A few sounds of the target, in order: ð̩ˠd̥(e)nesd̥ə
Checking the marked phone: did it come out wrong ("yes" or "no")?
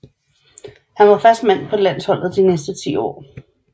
yes